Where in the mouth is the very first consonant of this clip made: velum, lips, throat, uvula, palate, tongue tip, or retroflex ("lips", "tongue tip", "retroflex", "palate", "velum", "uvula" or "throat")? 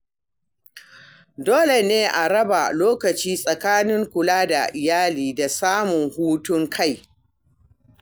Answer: tongue tip